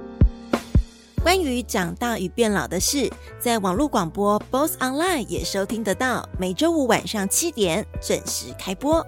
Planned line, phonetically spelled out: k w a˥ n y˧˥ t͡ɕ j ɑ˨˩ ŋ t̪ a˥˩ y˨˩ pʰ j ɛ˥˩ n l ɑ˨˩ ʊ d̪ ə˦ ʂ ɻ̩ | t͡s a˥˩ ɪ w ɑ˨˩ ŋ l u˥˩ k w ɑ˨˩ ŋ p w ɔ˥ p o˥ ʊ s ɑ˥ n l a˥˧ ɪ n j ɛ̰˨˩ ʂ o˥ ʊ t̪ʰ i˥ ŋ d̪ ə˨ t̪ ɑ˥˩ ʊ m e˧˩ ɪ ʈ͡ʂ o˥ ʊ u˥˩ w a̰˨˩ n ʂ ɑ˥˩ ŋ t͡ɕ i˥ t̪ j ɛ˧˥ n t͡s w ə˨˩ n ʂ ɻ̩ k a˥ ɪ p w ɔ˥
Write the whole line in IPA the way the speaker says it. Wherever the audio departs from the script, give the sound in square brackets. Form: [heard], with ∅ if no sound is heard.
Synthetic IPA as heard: k w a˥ n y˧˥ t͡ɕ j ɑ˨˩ ŋ t̪ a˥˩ y˨˩ [p] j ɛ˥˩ n l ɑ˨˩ ʊ d̪ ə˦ ʂ ɻ̩ | t͡s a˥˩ ɪ w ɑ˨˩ ŋ l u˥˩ k w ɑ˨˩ ŋ p w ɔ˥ p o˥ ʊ s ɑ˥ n l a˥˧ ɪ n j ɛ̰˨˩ ʂ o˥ ʊ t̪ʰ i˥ ŋ d̪ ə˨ t̪ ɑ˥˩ ʊ m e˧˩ ɪ ʈ͡ʂ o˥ ʊ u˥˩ w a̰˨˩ n ʂ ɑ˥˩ ŋ [t͡ɕʰ] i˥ t̪ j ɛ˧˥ n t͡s w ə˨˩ n ʂ ɻ̩ [kʰ] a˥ ɪ p w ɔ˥